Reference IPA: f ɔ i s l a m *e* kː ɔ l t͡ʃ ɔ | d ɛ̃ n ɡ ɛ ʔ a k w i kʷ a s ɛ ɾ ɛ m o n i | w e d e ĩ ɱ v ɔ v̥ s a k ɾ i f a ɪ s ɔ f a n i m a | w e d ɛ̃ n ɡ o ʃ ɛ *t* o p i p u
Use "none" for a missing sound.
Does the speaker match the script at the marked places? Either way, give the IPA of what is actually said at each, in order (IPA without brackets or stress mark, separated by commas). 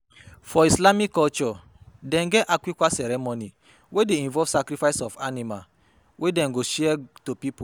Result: i, t